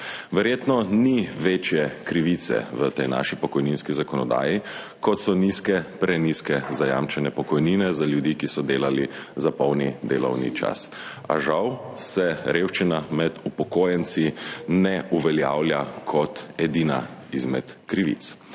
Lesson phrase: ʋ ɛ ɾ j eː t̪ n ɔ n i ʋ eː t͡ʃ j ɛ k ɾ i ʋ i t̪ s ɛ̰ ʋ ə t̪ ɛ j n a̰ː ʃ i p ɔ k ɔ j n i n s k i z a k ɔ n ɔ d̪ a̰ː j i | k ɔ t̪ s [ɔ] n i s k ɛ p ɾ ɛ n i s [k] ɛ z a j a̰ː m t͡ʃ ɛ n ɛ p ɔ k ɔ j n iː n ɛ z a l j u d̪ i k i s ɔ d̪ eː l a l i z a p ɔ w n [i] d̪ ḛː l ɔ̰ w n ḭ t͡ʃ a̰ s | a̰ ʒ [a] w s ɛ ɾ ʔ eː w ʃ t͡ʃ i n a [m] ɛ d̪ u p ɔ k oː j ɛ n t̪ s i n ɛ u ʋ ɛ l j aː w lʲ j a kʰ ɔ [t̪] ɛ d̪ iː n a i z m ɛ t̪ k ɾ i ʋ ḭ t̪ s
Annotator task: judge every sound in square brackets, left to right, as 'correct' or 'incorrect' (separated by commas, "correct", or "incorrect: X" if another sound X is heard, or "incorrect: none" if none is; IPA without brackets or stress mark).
correct, correct, correct, correct, correct, correct